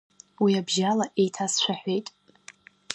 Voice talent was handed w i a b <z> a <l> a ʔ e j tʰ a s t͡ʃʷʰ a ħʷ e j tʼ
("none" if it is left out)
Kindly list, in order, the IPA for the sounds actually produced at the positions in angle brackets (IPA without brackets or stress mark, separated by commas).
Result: ʒ, l